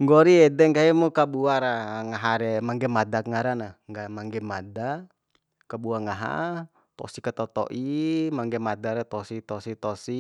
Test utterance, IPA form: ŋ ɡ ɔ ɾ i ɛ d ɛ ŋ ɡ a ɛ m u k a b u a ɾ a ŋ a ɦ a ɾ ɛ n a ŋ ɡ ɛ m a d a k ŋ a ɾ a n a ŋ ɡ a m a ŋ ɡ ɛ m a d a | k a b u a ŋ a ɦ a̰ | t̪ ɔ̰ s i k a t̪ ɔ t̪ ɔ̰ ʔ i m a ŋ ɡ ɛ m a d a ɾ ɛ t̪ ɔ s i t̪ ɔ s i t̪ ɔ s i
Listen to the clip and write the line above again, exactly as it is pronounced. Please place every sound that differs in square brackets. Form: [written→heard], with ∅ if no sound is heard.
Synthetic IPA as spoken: ŋ ɡ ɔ ɾ i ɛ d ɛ ŋ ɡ a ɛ m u k a b u a ɾ a ŋ a ɦ a ɾ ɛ [n→m] a ŋ ɡ ɛ m a d a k ŋ a ɾ a n a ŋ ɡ a m a ŋ ɡ ɛ m a d a | k a b u a ŋ a ɦ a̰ | t̪ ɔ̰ s i k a t̪ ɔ t̪ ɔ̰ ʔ i m a ŋ ɡ ɛ m a d a ɾ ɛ t̪ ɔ s i t̪ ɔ s i t̪ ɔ s i